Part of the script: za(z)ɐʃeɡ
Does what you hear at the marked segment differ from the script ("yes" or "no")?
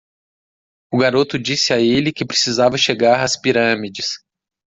yes